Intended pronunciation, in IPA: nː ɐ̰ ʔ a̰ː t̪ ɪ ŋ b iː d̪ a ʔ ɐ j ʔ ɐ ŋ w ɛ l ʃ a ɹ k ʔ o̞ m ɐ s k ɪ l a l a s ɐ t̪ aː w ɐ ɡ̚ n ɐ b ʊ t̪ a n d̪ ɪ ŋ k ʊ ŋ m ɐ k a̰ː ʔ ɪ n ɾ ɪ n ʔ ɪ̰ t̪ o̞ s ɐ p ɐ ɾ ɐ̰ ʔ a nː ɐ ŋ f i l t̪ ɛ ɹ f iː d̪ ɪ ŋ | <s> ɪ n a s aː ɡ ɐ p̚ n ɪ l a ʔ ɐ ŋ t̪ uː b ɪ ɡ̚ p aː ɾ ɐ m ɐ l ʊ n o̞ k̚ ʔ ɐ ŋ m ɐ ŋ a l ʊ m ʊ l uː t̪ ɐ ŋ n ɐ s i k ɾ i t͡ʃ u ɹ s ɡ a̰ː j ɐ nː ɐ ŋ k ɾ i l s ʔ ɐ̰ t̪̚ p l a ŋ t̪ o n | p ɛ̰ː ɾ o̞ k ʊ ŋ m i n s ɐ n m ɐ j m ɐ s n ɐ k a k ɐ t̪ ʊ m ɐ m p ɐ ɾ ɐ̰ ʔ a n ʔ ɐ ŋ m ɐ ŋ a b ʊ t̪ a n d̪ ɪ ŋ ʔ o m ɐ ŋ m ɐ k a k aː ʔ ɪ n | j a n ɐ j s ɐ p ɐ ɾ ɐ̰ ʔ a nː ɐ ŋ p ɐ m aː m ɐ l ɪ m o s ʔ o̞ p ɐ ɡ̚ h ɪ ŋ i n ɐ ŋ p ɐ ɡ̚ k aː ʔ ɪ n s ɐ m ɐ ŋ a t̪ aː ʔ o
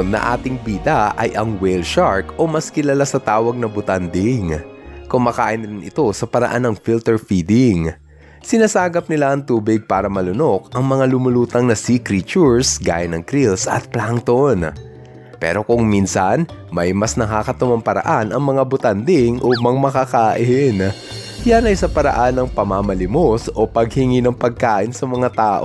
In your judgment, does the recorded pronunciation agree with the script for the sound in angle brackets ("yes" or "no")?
yes